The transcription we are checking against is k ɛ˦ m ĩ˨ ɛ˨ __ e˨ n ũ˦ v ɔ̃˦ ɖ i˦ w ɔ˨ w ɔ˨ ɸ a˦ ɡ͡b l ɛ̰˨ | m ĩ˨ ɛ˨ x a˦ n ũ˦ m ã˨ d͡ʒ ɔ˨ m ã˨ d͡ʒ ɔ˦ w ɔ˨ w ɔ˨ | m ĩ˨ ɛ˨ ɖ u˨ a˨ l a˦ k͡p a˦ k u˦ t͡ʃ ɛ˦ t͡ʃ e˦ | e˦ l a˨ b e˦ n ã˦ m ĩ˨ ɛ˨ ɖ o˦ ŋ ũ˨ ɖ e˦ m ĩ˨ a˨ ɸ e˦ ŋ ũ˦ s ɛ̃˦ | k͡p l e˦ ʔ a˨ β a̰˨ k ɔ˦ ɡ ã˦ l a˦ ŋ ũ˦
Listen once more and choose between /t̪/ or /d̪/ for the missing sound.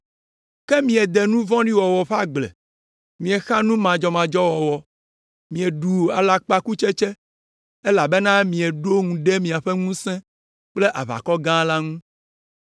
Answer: d̪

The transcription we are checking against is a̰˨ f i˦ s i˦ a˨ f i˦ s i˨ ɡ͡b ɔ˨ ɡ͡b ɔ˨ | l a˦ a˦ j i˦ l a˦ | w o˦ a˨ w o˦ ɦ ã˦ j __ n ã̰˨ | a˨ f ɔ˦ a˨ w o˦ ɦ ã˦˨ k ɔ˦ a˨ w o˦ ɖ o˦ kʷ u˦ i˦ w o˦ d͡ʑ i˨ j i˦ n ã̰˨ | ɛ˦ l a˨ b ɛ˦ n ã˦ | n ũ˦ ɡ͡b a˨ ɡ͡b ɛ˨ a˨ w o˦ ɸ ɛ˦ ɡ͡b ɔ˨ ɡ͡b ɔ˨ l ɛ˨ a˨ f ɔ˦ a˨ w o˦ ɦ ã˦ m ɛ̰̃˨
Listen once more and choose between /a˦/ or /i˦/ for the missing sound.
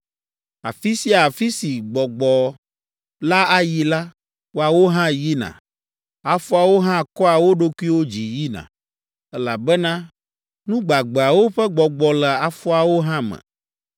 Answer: i˦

